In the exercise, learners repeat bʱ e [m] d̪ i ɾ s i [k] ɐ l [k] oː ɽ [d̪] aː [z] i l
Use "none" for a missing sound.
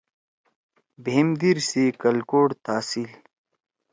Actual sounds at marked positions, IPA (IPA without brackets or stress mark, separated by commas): m, k, k, t̪, s